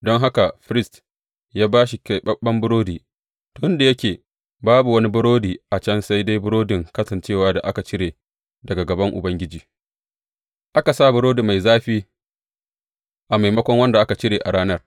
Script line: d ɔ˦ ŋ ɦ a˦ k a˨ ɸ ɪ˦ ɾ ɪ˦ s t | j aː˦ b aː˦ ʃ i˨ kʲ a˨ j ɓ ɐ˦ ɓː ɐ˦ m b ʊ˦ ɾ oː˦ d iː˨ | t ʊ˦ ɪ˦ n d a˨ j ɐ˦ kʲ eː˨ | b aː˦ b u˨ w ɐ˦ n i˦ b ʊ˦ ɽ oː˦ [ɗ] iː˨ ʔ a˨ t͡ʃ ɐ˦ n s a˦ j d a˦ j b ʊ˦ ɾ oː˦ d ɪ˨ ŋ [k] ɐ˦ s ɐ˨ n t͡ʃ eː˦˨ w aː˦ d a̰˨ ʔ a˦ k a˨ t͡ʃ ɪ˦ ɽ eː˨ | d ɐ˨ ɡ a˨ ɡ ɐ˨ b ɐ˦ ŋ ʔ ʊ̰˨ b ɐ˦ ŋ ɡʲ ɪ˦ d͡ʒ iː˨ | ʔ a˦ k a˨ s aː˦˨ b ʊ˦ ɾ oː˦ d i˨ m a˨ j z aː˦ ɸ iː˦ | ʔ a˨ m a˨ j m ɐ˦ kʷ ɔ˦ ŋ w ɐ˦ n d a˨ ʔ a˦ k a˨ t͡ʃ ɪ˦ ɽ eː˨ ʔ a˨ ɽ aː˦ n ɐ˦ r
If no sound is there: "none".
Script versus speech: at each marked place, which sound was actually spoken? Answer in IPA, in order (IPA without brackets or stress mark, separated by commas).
d, k